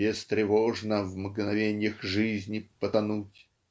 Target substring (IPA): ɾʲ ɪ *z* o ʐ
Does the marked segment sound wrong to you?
yes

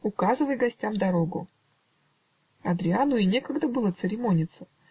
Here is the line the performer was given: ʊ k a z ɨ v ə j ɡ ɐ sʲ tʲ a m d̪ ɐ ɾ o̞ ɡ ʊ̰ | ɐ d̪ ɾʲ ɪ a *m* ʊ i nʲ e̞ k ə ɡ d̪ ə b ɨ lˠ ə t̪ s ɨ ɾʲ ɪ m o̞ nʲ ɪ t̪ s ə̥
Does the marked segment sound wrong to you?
yes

